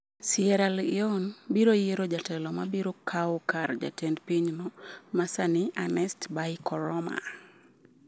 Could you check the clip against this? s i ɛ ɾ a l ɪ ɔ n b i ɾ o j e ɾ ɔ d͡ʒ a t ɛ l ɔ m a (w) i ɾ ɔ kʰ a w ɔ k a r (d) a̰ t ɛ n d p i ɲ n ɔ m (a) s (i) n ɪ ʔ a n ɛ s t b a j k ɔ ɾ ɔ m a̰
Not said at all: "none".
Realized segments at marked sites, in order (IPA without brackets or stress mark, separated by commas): b, d͡ʒ, a, a